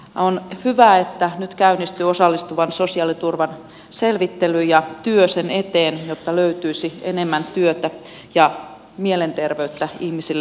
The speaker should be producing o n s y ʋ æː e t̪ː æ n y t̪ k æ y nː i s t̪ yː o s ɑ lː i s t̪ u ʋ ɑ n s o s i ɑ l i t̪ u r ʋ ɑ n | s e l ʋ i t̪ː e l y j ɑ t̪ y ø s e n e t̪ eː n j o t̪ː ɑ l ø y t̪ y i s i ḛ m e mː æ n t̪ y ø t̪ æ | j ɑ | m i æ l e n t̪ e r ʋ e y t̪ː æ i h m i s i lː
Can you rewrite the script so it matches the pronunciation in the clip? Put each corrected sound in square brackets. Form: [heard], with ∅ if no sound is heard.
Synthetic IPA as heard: o n [h] y ʋ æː e t̪ː æ n y t̪ k æ y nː i s t̪ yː o s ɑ lː i s t̪ u ʋ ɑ n s o s i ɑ l i t̪ u r ʋ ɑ n | s e l ʋ i t̪ː e l y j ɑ t̪ y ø s e n e t̪ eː n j o t̪ː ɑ l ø y t̪ y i s i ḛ [n] e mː æ n t̪ y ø t̪ æ | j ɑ | m i [e] l e n t̪ e r ʋ e y t̪ː æ i h m i s i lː